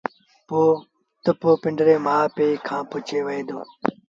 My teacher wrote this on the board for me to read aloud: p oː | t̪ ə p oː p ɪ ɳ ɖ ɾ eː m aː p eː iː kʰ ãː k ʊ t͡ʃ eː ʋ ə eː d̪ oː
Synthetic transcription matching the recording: p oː | t̪ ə p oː p ɪ ɳ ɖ ɾ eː m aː p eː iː kʰ ãː p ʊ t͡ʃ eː ʋ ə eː d̪ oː